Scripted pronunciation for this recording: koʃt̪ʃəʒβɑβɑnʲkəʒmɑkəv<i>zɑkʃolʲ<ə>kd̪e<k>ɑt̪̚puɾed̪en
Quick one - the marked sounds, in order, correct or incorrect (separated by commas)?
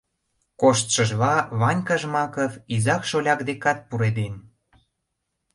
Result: correct, incorrect, correct